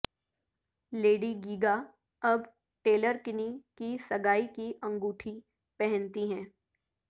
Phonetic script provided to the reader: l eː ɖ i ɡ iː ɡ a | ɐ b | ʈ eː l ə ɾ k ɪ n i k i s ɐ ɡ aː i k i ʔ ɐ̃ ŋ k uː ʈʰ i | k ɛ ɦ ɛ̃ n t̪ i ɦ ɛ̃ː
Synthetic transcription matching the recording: l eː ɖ i ɡ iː ɡ a | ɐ b | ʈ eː l ə ɾ k ɪ n i k i s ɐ ɡ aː i k i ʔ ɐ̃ ŋ ɡ uː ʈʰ i | p ɛ ɦ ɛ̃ n t̪ i ɦ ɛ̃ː